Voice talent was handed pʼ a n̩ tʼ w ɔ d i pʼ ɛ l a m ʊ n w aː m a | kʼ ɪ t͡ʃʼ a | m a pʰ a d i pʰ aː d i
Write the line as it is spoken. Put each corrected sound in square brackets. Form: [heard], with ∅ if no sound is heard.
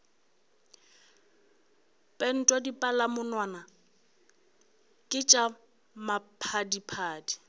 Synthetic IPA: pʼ [ɛ] n̩ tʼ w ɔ d i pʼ [a] l a m ʊ n w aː [n] a | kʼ ɪ t͡ʃʼ a | m a pʰ a d i pʰ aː d i